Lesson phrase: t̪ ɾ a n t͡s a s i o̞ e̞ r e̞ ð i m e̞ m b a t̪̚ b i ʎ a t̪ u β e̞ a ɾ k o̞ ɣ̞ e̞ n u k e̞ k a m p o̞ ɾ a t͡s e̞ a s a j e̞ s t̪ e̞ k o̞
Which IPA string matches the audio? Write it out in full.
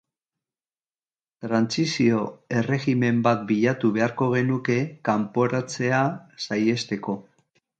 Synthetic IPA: t̪ ɾ a n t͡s i s i o̞ e̞ r e̞ ɣ i m e̞ m b a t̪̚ b i ʎ a t̪ u β e̞ a ɾ k o̞ ɣ̞ e̞ n u k e̞ k a m p o̞ ɾ a t͡s e̞ a s a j e̞ s t̪ e̞ k o̞